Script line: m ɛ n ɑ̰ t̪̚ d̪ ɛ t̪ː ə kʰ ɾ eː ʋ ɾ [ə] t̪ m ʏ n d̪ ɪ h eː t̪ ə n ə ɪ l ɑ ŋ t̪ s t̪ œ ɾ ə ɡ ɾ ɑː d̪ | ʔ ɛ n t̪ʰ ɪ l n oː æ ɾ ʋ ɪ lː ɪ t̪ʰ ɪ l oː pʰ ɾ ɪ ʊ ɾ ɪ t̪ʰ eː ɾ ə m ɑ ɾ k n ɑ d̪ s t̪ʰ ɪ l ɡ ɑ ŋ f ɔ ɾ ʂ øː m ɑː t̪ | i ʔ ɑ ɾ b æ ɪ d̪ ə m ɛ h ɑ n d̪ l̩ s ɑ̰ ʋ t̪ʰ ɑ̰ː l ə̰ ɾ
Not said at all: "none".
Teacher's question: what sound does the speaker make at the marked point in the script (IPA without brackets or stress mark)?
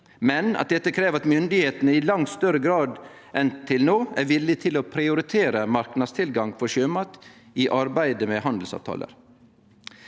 ɑ